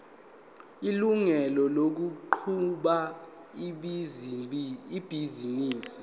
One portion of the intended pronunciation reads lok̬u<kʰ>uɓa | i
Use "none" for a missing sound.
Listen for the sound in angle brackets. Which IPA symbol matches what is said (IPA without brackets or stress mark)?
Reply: ǃʰ